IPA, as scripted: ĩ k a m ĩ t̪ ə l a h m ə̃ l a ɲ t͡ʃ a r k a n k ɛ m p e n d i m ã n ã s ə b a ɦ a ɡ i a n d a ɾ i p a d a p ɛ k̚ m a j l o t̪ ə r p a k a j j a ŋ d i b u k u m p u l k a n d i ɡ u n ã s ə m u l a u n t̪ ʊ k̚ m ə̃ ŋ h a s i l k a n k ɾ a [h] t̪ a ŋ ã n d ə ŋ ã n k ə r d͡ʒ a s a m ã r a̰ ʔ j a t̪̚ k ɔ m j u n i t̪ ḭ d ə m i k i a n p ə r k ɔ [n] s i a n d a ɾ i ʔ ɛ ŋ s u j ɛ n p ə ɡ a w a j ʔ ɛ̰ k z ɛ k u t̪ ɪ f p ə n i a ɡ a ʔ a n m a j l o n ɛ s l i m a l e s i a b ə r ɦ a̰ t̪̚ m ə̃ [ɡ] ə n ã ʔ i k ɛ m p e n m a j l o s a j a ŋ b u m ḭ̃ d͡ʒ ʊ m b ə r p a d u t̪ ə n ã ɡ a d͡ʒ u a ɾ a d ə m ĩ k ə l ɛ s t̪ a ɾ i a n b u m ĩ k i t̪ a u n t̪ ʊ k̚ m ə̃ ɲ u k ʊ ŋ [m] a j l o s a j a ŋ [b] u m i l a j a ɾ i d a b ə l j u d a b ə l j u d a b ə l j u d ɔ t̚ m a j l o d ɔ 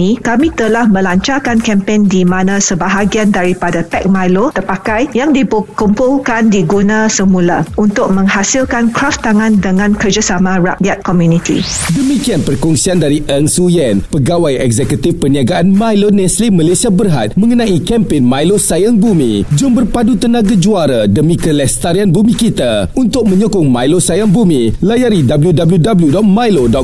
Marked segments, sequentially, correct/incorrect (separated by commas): incorrect, incorrect, incorrect, correct, correct